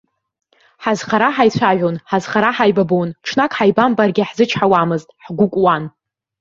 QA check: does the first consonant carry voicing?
no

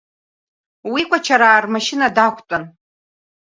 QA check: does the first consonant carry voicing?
yes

